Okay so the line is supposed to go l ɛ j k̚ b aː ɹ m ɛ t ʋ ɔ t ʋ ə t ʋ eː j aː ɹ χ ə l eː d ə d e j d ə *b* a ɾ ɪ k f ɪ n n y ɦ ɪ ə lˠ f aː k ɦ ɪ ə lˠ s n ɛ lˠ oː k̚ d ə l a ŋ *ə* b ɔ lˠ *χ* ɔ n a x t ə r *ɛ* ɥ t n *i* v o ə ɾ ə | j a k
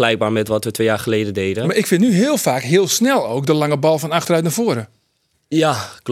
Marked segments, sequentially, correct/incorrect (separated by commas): incorrect, correct, incorrect, incorrect, incorrect